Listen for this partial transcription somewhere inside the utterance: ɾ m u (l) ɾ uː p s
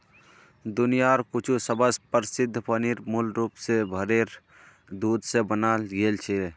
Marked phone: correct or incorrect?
correct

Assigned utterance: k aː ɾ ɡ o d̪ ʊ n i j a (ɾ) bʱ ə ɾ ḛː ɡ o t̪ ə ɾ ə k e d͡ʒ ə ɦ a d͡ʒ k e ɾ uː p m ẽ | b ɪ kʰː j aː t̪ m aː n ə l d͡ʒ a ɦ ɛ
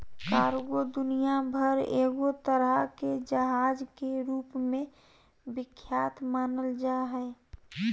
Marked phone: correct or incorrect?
incorrect: none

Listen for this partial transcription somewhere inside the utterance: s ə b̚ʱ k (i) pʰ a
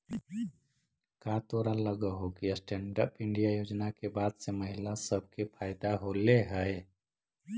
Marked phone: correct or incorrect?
incorrect: e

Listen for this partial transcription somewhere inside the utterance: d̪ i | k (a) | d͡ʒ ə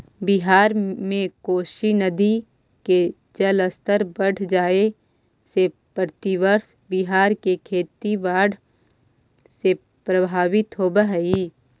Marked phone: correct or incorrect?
incorrect: e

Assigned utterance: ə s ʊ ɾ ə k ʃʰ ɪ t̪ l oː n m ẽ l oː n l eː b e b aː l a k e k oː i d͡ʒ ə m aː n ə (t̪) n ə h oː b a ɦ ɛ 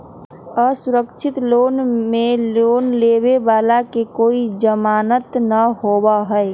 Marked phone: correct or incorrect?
correct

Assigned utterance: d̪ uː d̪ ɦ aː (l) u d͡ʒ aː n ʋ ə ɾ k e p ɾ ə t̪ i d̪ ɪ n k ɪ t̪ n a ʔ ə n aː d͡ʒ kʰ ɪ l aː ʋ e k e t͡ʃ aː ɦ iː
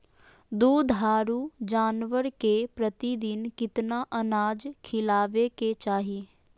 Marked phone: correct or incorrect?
incorrect: ɾ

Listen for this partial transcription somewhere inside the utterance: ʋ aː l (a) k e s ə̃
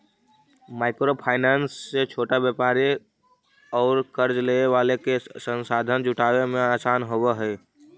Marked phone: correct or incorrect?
incorrect: e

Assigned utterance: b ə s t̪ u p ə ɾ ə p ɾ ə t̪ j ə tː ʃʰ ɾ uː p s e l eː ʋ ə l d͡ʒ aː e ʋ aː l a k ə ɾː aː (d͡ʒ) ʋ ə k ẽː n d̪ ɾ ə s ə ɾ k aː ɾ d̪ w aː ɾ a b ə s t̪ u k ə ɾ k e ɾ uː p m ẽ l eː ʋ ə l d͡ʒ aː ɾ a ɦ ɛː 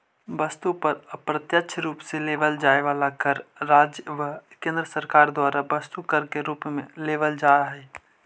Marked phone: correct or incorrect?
correct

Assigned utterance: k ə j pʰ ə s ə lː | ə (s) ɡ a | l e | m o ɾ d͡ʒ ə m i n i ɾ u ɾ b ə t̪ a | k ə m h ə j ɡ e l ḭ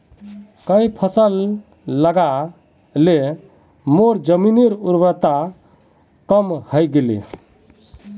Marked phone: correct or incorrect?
incorrect: none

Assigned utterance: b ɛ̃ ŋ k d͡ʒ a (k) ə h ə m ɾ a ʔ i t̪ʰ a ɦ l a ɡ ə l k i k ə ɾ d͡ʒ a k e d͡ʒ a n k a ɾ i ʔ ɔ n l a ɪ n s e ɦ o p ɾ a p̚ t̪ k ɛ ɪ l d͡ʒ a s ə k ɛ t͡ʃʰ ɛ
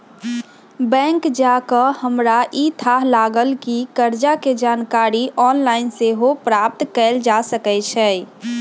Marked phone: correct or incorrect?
correct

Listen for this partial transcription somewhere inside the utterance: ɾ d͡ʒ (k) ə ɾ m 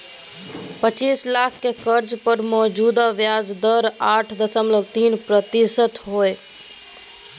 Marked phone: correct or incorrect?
incorrect: p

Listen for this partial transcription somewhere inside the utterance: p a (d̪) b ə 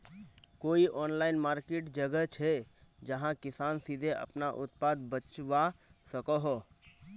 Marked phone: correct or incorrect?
correct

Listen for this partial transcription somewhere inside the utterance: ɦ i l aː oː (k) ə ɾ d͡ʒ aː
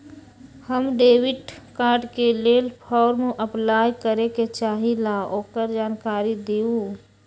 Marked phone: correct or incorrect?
correct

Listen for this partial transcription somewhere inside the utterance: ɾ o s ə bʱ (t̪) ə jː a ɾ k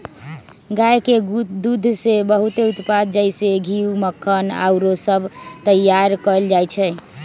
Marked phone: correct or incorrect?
correct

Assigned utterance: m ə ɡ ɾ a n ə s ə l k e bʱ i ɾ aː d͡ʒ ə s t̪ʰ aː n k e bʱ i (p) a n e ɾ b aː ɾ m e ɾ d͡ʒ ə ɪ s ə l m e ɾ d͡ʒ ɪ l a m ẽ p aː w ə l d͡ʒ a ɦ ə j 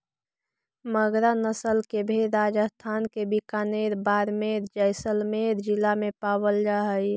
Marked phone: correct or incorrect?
incorrect: k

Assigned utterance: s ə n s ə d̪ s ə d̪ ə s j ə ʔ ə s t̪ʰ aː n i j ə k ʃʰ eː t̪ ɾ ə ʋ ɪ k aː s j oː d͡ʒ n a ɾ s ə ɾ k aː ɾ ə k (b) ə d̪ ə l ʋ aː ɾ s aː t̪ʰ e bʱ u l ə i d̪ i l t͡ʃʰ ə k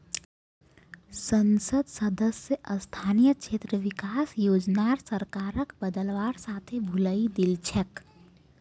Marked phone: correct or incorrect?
correct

